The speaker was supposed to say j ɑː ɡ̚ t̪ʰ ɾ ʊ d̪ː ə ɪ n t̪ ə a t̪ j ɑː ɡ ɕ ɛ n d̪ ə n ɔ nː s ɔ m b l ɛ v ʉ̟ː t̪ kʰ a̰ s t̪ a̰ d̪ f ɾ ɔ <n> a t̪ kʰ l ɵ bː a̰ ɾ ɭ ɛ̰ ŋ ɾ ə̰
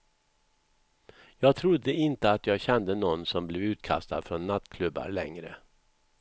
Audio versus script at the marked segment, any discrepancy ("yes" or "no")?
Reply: yes